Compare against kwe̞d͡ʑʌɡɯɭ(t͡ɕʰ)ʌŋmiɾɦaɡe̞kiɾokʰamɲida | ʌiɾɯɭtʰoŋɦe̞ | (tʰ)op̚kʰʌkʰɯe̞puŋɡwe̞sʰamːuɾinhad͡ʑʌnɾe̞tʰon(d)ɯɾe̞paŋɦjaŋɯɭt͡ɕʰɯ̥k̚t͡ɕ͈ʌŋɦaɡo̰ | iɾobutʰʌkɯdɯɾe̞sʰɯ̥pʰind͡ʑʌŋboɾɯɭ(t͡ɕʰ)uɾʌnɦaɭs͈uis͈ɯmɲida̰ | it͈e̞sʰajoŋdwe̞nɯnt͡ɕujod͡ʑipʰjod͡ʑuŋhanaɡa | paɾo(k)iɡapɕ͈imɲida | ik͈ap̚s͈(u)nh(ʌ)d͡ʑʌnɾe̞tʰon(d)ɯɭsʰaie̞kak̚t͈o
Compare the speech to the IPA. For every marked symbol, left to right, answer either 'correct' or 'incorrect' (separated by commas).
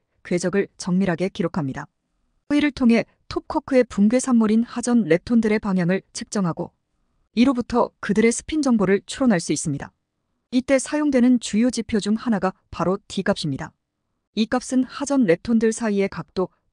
incorrect, correct, correct, correct, incorrect, incorrect, incorrect, correct